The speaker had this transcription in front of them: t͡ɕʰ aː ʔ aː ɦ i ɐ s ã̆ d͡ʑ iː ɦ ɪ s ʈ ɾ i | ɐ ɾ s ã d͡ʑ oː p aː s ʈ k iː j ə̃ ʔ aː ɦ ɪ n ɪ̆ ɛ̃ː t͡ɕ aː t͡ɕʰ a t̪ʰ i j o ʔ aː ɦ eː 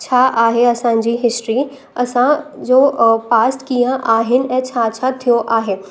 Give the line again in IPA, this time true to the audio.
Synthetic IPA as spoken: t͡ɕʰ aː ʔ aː ɦ e ɐ s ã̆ d͡ʑ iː ɦ ɪ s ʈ ɾ i | ɐ s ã d͡ʑ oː p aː s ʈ k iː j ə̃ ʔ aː ɦ ɪ n ɪ̆ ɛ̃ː t͡ɕʰ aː t͡ɕʰ a t̪ʰ i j o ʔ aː ɦ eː